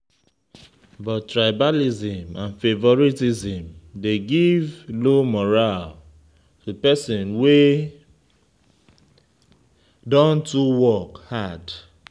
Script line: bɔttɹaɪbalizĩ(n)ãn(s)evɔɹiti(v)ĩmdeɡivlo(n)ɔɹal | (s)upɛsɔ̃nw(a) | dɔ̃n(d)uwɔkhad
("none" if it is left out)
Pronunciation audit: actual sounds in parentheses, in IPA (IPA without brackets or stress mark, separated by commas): m, f, z, m, t, e, t